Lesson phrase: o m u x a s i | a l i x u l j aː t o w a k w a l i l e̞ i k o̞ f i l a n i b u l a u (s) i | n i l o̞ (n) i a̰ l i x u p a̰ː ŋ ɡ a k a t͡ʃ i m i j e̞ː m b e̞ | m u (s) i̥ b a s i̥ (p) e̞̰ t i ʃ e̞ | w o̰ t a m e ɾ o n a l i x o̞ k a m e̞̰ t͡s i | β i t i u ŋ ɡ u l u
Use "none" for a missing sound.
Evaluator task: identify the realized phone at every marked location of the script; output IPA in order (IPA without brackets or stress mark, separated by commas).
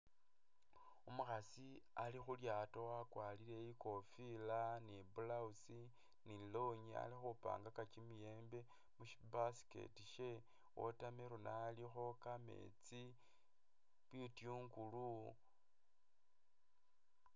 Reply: s, ɲ, ʃ, k